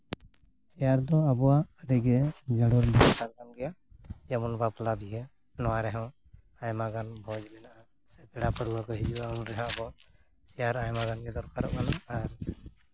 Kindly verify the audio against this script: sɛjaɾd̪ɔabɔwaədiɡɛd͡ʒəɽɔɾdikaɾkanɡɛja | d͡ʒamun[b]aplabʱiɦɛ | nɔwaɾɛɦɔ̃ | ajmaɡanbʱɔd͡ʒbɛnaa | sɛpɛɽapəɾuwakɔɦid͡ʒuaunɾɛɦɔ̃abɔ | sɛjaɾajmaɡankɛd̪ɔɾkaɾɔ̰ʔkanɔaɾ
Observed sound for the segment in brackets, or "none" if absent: b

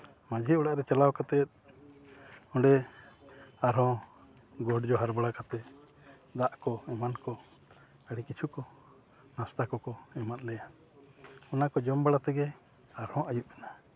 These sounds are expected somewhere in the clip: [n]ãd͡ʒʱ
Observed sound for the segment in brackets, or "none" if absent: m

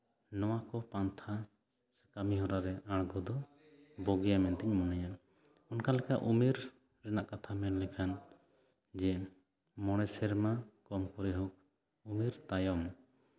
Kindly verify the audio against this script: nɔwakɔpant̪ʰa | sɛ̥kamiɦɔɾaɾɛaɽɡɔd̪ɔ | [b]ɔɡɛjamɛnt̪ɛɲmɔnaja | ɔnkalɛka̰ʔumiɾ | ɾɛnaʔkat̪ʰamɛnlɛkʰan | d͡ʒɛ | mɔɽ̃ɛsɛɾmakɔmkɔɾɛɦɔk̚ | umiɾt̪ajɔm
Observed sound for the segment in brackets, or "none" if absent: b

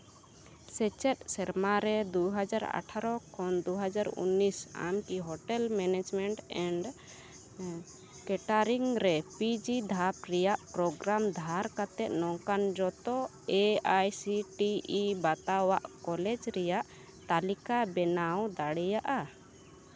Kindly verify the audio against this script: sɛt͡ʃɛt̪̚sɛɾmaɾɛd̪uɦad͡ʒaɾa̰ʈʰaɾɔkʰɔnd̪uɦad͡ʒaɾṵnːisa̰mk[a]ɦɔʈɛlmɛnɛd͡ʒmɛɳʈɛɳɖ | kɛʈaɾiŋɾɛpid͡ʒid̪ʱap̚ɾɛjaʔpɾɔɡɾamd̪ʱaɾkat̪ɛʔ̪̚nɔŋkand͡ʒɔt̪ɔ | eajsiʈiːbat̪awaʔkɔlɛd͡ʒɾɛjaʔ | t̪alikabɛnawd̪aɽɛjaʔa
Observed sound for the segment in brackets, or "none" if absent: i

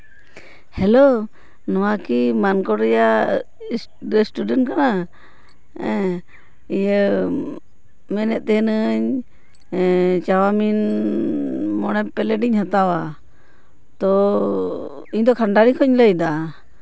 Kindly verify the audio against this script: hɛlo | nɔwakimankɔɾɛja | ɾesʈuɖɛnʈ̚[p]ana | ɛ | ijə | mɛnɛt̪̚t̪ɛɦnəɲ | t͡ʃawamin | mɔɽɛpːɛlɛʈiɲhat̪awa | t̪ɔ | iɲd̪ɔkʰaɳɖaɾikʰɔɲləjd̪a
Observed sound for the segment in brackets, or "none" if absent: k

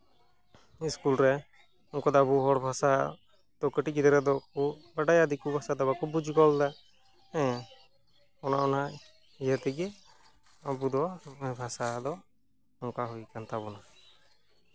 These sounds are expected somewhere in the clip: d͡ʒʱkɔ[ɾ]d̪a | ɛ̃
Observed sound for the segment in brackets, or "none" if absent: l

